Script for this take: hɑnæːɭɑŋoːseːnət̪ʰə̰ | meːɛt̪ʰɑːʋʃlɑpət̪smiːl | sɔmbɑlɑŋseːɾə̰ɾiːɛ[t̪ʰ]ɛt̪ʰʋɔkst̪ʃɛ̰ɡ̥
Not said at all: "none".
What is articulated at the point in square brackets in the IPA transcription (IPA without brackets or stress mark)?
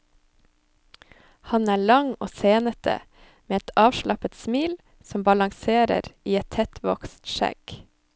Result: t̪ʰ